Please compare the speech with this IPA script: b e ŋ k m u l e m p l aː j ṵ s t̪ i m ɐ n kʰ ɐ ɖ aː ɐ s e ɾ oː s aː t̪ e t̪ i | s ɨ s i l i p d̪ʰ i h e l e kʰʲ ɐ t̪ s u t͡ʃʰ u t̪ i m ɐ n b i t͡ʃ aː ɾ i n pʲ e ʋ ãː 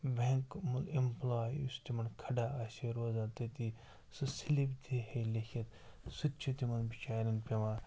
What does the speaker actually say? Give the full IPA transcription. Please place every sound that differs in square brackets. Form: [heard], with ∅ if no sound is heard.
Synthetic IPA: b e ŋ k m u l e m p l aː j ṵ s t̪ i m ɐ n kʰ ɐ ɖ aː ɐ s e ɾ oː [z] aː t̪ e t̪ i | s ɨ s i l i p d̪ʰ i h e l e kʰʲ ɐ t̪ s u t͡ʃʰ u t̪ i m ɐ n b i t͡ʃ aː ɾ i n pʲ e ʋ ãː